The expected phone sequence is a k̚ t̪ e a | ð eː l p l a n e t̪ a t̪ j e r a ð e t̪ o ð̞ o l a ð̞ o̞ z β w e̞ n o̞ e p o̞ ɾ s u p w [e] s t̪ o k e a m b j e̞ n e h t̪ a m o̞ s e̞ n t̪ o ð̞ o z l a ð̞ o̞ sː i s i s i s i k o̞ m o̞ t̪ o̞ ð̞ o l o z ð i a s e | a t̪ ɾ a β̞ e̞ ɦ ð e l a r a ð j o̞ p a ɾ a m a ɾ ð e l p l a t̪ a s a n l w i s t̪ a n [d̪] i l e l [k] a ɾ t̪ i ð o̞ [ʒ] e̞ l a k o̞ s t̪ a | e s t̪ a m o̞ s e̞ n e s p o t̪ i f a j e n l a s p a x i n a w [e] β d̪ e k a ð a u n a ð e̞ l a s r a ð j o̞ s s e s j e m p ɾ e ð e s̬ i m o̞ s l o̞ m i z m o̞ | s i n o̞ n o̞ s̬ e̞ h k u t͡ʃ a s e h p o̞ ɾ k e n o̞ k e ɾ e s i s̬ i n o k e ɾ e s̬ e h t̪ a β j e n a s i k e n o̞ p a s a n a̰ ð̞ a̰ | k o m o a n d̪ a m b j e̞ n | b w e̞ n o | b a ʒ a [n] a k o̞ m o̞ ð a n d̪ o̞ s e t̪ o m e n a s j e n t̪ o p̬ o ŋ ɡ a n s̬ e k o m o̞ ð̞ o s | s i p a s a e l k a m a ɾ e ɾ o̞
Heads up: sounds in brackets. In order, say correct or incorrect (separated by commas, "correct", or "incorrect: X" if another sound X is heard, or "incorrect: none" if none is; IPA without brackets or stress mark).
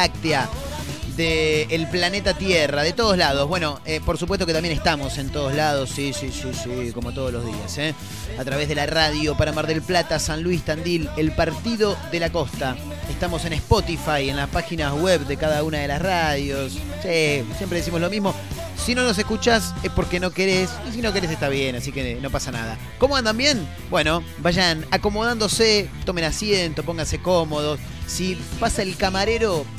correct, correct, incorrect: p, incorrect: ð, correct, correct